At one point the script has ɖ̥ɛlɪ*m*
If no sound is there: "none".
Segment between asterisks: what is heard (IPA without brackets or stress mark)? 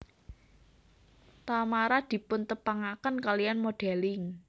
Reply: ŋ